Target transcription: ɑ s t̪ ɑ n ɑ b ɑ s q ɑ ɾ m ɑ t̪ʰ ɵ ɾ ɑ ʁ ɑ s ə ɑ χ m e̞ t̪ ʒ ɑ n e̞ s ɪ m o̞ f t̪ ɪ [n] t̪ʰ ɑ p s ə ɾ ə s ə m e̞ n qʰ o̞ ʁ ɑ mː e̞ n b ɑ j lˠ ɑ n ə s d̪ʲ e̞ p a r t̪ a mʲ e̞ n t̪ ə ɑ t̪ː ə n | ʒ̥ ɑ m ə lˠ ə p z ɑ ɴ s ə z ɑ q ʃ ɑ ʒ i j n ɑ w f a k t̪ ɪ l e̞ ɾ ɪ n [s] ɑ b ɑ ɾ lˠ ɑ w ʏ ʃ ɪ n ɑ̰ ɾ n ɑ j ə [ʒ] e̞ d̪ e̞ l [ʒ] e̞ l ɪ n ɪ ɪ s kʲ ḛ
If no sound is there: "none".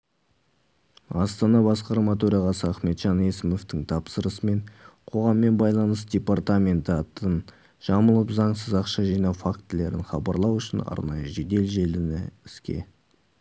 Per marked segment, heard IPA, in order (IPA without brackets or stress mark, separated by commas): ŋ, χ, ʒ, ʒ